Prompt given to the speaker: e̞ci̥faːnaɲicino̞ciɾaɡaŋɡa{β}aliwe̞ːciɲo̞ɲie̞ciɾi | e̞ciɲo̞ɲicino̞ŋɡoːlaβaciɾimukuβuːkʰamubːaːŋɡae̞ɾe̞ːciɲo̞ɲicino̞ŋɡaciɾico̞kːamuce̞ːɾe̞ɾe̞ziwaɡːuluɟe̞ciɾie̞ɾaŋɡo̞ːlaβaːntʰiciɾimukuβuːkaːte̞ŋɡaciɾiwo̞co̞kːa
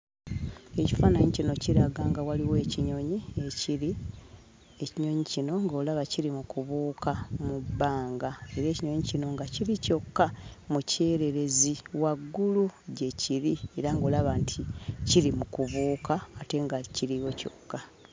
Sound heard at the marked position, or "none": w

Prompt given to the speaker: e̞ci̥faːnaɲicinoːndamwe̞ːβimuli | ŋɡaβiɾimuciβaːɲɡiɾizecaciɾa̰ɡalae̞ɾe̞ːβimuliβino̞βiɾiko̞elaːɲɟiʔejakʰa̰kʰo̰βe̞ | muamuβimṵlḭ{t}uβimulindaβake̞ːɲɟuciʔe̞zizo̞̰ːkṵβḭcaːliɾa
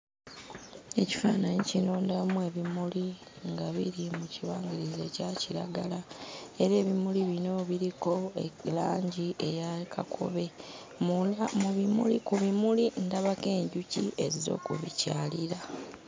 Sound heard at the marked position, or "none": k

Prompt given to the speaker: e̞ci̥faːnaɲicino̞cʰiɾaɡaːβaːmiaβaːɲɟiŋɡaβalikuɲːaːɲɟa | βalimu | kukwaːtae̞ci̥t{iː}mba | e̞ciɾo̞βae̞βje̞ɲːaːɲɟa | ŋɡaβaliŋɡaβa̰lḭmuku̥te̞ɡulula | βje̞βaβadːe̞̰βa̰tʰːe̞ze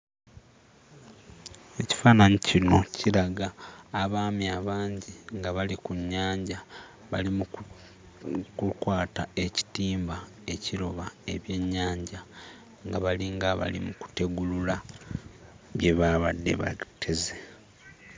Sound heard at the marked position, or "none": iː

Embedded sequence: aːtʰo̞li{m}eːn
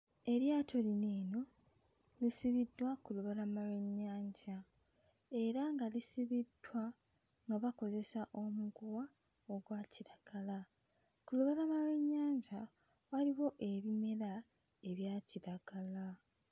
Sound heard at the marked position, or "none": n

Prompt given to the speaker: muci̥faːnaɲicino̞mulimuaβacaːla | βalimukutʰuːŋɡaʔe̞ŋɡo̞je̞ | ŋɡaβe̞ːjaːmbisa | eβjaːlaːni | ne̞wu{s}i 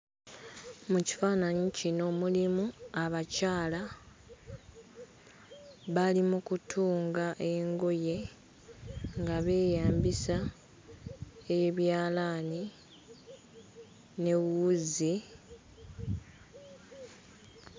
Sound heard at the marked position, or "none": z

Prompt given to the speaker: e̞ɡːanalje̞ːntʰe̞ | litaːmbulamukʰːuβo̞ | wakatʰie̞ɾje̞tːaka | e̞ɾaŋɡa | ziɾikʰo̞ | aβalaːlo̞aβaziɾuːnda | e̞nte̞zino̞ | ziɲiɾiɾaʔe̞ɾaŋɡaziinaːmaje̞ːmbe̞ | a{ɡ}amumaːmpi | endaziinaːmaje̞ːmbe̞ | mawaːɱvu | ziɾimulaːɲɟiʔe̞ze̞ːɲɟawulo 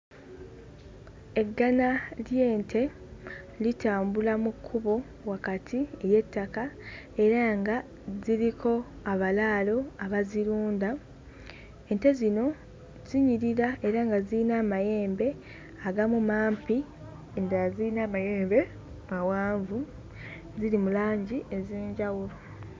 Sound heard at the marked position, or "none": ɡ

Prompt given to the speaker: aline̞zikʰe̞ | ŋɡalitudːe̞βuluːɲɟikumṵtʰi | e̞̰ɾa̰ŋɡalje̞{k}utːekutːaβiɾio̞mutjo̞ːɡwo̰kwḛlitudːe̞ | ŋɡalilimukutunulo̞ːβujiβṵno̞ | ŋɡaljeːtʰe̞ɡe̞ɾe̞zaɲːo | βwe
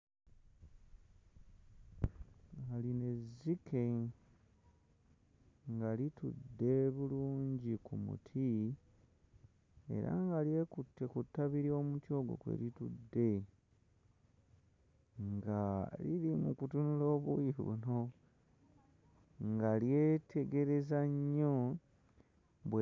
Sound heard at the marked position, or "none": k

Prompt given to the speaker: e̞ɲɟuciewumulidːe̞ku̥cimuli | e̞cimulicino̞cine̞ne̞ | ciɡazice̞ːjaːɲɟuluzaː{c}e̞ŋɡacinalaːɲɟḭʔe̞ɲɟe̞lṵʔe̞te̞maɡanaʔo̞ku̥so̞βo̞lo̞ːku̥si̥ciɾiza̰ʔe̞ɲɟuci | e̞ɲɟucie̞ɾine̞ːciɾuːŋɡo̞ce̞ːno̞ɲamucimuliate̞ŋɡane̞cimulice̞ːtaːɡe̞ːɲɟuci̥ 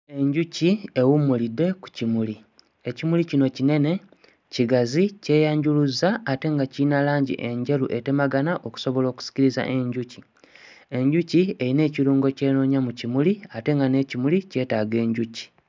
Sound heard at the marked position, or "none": t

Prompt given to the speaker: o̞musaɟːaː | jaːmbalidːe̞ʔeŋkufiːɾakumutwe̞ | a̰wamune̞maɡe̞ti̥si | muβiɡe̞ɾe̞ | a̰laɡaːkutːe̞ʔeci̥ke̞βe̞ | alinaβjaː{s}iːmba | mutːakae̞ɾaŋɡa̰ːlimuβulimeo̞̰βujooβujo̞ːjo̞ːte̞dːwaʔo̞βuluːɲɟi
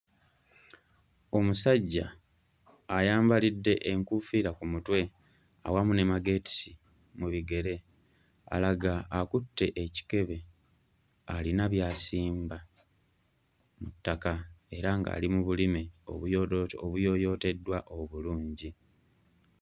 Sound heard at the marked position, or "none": s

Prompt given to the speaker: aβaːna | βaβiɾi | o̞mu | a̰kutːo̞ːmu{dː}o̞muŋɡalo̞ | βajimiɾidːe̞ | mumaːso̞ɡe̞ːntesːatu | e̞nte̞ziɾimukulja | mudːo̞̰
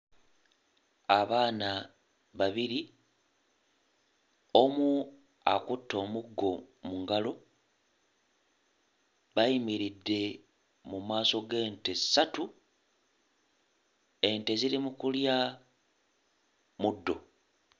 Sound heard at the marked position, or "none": ɡː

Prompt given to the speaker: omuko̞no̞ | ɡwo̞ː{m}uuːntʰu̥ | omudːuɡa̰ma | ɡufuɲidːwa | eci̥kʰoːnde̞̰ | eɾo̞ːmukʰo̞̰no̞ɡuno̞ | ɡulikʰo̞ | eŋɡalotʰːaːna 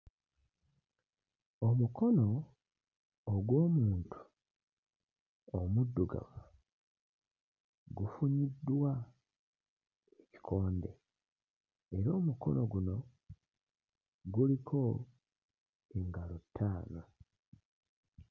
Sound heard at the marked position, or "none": m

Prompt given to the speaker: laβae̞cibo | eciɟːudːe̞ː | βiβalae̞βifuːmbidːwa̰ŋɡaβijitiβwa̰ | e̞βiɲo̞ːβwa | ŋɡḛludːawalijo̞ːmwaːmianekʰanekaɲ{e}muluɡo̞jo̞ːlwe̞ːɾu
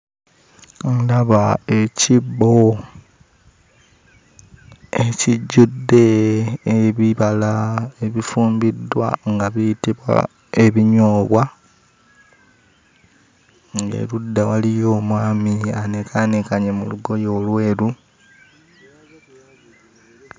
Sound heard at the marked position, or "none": e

